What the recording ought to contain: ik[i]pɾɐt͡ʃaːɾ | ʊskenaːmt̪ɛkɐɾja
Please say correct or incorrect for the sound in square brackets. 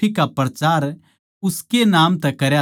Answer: incorrect